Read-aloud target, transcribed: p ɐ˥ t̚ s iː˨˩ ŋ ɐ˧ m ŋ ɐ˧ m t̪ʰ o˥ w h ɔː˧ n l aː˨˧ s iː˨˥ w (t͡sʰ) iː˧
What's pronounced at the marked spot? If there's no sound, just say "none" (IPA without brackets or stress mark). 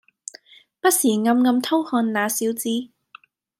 t͡s